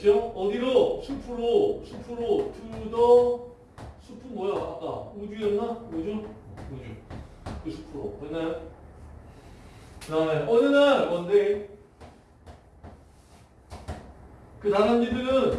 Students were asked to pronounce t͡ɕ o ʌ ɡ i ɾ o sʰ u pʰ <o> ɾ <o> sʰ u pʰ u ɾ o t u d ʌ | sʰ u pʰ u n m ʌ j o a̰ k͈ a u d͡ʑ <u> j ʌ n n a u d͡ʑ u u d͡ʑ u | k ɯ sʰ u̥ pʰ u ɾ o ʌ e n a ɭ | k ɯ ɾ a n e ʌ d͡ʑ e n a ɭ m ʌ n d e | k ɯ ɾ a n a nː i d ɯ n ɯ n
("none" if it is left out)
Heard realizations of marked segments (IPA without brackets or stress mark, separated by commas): u, o, u